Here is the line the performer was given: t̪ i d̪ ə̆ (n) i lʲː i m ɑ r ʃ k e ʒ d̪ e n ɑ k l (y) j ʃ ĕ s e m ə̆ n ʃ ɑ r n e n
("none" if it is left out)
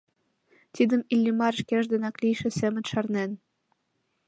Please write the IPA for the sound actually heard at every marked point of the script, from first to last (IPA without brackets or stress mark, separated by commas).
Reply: m, i